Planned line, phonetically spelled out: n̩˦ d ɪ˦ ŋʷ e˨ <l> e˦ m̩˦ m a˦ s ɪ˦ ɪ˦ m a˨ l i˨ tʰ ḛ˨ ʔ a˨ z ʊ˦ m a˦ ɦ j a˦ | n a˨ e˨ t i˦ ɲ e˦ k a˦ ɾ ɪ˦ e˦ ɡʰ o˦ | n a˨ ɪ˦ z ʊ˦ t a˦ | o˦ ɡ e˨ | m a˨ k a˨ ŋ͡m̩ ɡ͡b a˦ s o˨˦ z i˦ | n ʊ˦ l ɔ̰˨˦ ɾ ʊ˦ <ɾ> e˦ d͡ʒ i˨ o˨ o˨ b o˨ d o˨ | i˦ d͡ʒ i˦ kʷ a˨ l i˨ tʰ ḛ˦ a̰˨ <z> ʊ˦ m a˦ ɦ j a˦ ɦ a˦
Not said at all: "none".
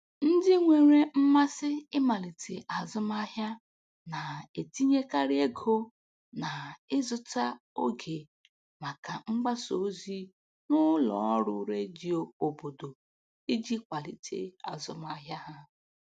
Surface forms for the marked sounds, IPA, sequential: ɾ, ɾ, z

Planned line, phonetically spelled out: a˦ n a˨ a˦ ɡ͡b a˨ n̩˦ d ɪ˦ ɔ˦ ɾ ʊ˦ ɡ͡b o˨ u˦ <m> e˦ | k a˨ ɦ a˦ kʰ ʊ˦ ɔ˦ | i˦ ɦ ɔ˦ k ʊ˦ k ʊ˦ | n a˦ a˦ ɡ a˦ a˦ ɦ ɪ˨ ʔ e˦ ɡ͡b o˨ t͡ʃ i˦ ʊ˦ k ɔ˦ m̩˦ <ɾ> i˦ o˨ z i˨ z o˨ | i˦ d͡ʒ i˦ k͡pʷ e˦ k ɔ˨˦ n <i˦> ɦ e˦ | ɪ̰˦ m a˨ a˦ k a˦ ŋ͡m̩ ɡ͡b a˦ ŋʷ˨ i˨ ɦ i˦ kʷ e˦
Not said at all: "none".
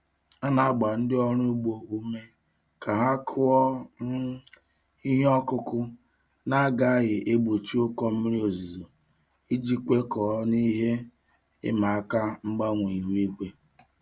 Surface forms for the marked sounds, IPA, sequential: m, ɾ, i˦

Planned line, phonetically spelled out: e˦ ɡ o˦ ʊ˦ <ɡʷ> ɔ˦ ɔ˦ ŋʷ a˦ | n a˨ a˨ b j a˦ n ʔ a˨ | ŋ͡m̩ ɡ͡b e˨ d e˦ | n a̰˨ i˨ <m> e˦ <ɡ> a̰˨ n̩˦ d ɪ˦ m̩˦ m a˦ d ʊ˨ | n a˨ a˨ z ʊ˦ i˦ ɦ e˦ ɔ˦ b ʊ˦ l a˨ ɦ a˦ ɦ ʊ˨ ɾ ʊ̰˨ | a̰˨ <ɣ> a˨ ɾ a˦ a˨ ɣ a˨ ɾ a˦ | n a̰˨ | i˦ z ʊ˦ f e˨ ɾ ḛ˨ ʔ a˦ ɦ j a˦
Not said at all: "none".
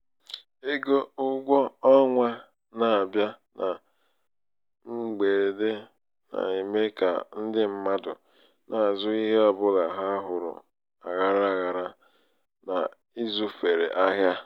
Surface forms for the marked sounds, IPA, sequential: ɡʷ, m, k, ɣ

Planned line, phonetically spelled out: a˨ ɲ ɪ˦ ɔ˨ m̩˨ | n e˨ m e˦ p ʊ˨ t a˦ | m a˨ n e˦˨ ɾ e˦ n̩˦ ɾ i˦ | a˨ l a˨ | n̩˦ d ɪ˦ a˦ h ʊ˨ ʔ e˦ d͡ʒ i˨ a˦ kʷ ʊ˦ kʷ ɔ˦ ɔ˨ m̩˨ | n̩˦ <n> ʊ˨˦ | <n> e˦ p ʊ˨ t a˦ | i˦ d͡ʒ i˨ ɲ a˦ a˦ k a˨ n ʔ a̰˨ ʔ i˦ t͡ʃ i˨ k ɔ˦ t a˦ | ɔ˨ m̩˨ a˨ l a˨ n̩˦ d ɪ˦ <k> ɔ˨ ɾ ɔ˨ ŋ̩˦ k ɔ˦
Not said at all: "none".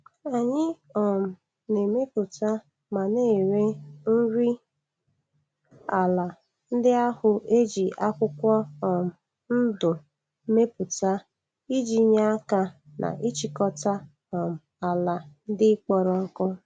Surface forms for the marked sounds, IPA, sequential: d, m, k͡p

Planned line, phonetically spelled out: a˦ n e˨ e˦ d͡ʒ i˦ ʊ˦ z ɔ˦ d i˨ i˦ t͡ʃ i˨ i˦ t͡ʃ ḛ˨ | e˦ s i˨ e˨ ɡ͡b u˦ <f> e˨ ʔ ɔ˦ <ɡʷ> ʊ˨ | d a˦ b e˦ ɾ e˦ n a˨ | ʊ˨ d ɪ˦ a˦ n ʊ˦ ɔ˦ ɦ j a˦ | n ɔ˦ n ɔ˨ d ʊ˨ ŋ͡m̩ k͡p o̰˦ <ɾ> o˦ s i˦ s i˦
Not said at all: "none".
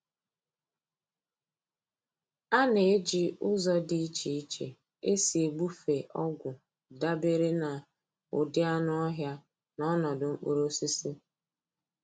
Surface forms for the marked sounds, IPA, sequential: f, ɡʷ, ɾ

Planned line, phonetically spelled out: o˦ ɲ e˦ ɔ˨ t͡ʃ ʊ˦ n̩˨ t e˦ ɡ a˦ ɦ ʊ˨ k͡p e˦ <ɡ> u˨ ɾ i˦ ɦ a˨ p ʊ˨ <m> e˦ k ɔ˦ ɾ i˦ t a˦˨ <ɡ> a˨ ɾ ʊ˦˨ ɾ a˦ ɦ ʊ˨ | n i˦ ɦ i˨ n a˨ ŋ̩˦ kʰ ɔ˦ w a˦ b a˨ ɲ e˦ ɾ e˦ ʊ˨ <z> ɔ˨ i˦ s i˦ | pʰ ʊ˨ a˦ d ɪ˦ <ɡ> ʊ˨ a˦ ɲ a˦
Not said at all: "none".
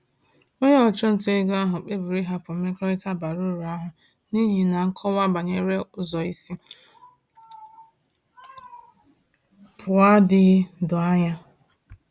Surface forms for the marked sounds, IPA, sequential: b, m, b, z, d

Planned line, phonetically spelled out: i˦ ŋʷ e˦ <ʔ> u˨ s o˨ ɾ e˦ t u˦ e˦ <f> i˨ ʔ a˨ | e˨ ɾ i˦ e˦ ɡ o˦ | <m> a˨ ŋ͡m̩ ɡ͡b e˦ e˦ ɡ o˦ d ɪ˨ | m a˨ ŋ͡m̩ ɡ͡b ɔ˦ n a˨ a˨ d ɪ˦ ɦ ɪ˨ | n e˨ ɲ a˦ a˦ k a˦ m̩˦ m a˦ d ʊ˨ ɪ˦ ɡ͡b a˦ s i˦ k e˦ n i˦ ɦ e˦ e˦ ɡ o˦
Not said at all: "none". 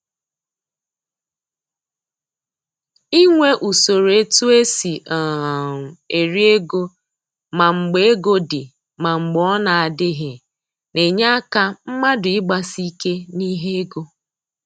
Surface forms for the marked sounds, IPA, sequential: ʔ, s, m

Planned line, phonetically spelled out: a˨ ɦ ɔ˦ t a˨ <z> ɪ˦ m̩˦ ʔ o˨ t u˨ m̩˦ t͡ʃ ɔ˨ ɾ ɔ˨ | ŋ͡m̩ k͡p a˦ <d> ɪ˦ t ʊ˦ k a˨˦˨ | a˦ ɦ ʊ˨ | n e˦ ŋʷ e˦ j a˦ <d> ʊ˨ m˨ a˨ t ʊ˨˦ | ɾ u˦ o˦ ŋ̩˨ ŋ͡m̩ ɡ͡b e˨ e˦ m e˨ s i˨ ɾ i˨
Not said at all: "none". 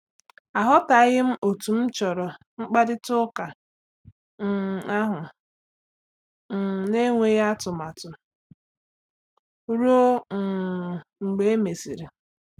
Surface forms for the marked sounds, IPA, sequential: ɣ, d, t

